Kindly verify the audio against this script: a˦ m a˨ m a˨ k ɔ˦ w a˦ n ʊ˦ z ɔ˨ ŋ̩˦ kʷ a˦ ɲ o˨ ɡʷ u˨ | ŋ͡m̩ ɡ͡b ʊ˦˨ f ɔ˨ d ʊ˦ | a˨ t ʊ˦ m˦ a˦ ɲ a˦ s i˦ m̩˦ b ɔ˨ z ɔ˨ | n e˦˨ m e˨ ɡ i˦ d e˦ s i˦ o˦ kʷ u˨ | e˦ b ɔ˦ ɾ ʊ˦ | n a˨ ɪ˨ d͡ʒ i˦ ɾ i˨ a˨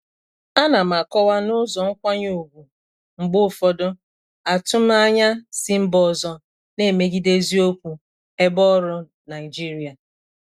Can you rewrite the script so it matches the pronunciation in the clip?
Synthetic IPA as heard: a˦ n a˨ m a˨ k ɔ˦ w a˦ n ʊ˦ z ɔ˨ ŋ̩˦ kʷ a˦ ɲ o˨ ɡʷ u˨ | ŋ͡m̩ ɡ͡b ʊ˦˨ f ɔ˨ d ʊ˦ | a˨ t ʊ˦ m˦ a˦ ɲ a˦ s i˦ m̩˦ b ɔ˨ z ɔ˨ | n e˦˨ m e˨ ɡ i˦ d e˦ z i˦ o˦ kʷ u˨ | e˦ b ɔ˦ ɾ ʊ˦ | n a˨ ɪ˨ d͡ʒ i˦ ɾ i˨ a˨